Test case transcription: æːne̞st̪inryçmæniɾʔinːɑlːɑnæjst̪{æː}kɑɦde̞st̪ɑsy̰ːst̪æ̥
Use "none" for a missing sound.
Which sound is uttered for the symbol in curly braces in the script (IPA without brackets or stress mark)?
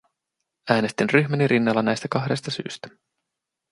æ